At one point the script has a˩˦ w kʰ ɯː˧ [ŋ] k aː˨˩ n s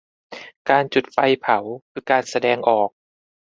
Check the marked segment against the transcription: incorrect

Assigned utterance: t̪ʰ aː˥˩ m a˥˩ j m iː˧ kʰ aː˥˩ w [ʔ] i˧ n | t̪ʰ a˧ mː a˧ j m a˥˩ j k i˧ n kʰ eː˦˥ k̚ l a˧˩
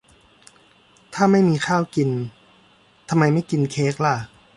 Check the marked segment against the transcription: incorrect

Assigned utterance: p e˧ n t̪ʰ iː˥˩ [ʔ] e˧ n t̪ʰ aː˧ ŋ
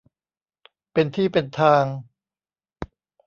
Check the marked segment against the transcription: incorrect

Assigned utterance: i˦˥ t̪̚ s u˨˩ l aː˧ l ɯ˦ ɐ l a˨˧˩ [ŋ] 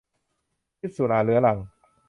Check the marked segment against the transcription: correct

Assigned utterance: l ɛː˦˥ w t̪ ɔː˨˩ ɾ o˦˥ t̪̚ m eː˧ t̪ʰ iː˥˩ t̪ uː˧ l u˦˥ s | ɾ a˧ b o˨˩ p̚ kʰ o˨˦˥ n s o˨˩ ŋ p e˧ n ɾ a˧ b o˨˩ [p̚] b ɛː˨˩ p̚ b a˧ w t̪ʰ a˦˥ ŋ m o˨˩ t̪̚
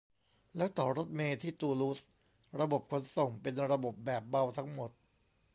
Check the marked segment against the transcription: correct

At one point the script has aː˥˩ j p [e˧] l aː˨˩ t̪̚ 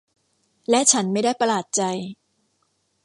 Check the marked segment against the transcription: incorrect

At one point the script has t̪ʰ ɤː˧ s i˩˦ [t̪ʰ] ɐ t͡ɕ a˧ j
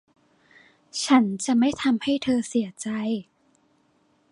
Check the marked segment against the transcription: incorrect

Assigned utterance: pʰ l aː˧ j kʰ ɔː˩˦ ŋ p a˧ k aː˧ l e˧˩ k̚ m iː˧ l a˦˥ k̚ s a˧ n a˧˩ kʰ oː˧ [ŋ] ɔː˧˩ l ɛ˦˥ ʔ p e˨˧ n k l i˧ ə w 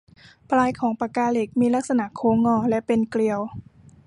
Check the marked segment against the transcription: correct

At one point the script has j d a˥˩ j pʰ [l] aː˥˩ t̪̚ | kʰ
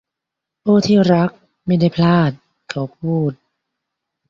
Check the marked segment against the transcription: correct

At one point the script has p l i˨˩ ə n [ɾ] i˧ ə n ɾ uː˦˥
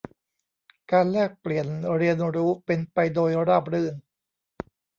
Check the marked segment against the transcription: correct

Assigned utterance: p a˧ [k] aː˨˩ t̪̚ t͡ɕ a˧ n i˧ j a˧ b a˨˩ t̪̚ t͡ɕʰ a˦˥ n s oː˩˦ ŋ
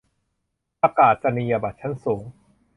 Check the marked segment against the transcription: correct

